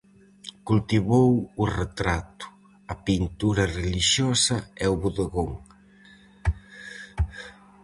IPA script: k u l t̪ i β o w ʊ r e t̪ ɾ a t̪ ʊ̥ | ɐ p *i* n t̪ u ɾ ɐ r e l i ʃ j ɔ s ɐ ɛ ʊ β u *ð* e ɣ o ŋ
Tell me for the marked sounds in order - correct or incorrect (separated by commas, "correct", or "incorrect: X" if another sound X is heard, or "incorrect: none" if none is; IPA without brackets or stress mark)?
correct, correct